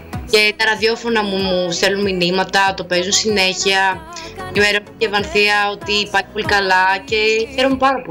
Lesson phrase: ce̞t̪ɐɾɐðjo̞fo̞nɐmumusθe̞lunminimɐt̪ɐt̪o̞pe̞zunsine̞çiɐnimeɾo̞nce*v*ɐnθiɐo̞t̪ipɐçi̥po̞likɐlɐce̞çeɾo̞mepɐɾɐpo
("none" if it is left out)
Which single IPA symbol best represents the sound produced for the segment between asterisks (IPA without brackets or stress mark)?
v